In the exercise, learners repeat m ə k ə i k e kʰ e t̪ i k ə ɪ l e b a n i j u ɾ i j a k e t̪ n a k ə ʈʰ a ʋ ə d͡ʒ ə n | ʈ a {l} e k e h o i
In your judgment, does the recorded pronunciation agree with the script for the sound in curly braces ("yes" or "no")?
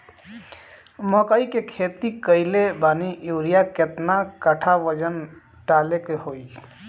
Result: yes